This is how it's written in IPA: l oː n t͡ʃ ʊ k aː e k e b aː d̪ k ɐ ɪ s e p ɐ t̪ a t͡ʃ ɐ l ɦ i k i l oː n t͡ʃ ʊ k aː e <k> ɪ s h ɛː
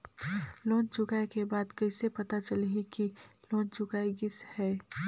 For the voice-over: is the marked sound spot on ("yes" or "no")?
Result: no